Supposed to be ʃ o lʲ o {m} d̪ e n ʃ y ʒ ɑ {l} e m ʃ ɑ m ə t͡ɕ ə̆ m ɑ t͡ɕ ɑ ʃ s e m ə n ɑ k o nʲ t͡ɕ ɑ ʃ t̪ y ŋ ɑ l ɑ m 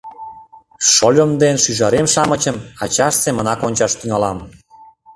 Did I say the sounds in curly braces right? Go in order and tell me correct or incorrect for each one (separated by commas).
correct, incorrect